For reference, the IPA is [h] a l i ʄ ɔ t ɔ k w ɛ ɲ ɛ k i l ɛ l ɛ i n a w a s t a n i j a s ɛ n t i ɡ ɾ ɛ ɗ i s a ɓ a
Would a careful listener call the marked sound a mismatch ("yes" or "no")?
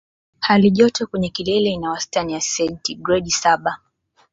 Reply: no